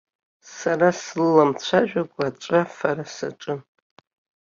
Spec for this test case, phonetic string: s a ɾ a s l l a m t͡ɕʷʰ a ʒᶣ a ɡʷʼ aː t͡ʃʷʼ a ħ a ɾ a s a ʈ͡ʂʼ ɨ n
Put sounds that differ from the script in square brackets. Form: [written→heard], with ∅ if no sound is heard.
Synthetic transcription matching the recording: s a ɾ a s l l a m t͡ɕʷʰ a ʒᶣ a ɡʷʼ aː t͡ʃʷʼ a [ħ→f] a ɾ a s a ʈ͡ʂʼ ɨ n